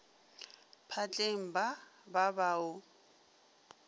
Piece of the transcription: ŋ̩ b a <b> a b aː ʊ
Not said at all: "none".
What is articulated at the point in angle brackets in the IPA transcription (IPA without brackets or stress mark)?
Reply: b